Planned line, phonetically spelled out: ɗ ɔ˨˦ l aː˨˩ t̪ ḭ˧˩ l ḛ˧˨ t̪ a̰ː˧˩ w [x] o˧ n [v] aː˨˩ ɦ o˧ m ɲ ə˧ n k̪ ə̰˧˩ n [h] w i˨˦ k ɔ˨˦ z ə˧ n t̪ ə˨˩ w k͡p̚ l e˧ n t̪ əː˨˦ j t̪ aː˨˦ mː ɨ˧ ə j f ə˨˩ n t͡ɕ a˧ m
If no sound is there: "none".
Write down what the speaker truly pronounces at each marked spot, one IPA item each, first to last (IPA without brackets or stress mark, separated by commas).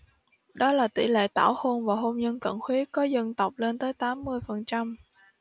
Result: x, v, x